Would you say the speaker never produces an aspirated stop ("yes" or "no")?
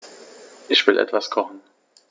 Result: no